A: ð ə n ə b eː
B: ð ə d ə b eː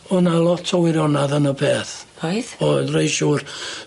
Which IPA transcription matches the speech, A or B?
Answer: A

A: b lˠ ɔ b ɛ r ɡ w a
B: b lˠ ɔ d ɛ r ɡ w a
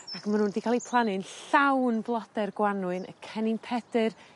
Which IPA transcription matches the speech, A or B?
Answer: B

